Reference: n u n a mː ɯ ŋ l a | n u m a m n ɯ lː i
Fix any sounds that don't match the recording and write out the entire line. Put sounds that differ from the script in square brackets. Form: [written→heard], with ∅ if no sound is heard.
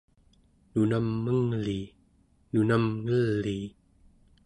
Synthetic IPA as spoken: n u n a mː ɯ ŋ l [a→i] | n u [m→n] a m [n→ŋ] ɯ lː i